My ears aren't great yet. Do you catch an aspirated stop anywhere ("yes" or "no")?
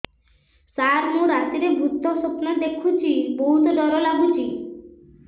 yes